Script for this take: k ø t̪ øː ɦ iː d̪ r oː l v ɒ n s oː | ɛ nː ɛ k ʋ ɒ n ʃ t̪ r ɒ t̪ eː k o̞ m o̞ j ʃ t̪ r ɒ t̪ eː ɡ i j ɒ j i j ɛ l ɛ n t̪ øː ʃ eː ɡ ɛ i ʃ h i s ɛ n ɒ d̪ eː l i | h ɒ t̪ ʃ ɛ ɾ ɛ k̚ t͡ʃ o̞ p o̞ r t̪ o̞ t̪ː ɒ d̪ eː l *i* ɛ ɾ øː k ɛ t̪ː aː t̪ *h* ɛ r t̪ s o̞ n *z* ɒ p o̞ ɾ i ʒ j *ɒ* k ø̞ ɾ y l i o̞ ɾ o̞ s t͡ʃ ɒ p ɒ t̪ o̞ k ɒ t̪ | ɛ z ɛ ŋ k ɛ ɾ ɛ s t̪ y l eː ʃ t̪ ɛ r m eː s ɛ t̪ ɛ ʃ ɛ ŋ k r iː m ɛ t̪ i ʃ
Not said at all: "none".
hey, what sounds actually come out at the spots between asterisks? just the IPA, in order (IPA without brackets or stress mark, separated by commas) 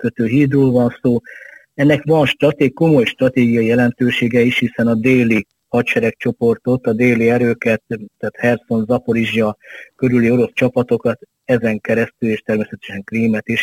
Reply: i, h, z, ɒ